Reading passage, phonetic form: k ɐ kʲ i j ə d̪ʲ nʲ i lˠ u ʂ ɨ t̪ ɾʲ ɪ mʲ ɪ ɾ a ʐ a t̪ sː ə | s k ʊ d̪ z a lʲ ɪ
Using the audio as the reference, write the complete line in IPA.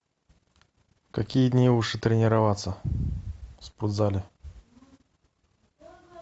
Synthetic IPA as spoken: k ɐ kʲ i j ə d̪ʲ nʲ i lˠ u ʂ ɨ t̪ ɾʲ ɪ nʲ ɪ ɾ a v a t̪ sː ə | s p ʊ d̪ z a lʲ ɪ